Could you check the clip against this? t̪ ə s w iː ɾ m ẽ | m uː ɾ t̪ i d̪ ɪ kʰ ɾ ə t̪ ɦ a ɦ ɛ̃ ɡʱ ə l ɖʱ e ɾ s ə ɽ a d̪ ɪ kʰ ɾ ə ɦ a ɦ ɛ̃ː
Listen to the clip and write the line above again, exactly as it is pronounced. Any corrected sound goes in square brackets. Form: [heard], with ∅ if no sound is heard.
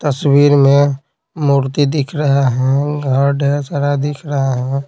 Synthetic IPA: t̪ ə s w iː ɾ m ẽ | m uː ɾ t̪ i d̪ ɪ kʰ ɾ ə [∅] ɦ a ɦ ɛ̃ ɡʱ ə [ɾ] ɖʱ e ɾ s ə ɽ a d̪ ɪ kʰ ɾ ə ɦ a ɦ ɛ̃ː